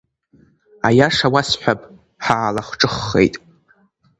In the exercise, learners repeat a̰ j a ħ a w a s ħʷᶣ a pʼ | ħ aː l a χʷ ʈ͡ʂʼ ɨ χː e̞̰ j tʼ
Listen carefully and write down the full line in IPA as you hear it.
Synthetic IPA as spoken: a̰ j a ʂ a w a s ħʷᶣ a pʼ | ħ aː l a χʷ ʈ͡ʂʼ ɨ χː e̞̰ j tʼ